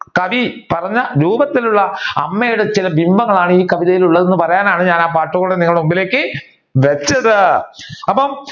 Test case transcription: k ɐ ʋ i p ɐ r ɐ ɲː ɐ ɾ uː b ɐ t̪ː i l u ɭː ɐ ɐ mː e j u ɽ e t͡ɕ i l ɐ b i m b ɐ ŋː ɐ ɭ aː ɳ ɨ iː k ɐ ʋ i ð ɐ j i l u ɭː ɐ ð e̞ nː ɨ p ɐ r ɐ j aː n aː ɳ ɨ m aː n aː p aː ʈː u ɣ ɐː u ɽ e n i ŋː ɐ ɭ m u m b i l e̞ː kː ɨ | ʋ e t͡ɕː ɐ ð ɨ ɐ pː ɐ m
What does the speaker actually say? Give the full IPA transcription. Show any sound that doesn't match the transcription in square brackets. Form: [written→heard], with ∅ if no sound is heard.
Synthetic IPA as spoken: k ɐ ʋ i p ɐ r ɐ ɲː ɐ ɾ uː b ɐ t̪ː i l u ɭː ɐ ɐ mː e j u ɽ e t͡ɕ i l ɐ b i m b ɐ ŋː ɐ ɭ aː ɳ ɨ iː k ɐ ʋ i ð ɐ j i l u ɭː ɐ ð e̞ nː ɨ p ɐ r ɐ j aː n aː ɳ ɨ [m→ɲ] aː n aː p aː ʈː u ɣ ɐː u ɽ e n i ŋː ɐ ɭ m u m b i l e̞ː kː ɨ | ʋ e t͡ɕː ɐ ð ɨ ɐ pː ɐ m